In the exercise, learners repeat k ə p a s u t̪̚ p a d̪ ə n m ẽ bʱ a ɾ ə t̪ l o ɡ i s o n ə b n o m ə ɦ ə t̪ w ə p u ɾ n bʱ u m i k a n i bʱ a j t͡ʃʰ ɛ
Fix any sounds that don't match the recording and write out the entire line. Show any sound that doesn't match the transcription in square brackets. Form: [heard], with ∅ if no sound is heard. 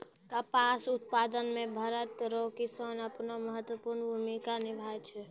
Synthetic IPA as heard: k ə p a s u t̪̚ p a d̪ ə n m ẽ bʱ [ə] ɾ ə t̪ [ɾ] o [k] i s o n ə [p] n o m ə ɦ ə t̪ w ə p u ɾ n bʱ u m i k a n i bʱ a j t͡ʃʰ ɛ